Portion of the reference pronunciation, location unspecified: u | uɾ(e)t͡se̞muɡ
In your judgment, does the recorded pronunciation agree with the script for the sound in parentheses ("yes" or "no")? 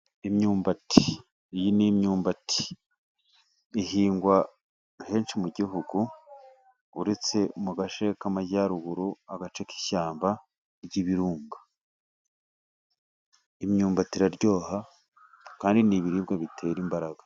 yes